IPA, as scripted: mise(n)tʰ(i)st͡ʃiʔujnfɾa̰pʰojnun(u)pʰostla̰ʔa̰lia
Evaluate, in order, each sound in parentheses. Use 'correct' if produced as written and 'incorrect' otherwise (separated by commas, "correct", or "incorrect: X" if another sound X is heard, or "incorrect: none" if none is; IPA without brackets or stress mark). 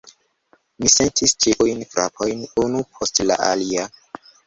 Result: correct, correct, correct